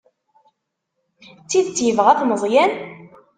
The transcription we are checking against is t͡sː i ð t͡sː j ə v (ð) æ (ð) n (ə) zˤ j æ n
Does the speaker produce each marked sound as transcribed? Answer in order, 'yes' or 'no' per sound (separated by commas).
no, no, yes